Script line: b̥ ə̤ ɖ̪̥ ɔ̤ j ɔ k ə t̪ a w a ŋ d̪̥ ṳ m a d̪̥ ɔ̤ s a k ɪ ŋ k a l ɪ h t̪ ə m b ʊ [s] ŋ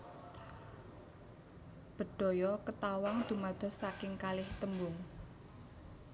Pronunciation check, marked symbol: incorrect: none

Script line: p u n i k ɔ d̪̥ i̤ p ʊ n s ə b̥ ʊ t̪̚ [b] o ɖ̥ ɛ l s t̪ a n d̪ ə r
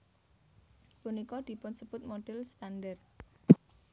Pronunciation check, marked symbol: incorrect: m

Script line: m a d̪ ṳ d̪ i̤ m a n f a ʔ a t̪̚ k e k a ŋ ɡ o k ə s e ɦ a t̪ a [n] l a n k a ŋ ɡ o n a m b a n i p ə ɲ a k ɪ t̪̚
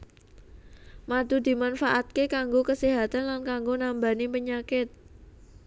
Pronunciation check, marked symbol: correct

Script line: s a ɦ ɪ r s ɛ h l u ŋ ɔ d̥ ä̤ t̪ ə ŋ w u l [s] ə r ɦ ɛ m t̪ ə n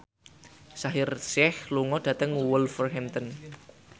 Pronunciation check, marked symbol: incorrect: f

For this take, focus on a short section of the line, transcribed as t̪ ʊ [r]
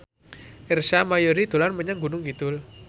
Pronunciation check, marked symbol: incorrect: l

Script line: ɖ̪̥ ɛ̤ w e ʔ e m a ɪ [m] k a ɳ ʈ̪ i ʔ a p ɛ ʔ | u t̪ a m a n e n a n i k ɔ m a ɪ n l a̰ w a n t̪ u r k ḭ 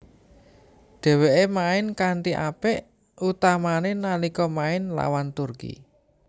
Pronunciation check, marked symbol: incorrect: n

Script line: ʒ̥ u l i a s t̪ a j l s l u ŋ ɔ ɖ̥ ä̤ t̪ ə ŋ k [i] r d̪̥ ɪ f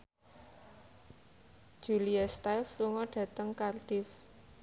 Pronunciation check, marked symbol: incorrect: a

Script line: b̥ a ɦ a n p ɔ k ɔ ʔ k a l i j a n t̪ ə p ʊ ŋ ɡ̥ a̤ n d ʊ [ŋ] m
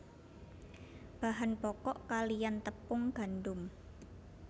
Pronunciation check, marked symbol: incorrect: none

